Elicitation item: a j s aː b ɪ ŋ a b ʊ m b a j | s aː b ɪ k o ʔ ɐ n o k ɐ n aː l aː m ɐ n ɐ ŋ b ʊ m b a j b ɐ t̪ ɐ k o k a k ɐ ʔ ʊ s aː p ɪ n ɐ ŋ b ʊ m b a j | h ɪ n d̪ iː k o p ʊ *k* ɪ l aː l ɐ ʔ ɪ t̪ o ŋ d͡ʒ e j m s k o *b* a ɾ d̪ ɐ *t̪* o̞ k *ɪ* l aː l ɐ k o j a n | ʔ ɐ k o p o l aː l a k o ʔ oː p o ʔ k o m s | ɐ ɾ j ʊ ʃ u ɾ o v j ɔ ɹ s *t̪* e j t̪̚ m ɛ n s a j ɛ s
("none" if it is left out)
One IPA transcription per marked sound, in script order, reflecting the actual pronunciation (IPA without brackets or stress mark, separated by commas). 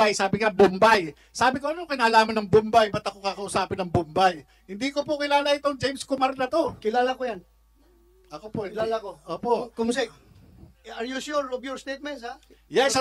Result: k, m, t̪, ɪ, t̪